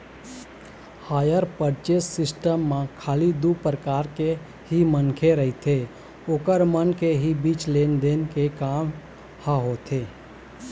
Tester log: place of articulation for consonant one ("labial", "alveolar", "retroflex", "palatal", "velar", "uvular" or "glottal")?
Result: glottal